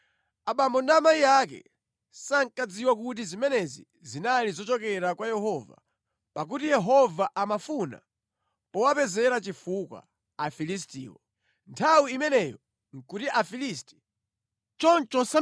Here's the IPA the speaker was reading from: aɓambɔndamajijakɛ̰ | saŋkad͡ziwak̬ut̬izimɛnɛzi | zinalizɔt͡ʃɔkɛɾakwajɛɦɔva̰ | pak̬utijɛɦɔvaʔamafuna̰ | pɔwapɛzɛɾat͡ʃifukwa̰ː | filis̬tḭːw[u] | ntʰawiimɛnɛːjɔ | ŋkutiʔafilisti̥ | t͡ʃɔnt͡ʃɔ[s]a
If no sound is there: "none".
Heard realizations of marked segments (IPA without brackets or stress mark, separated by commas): ɔ, s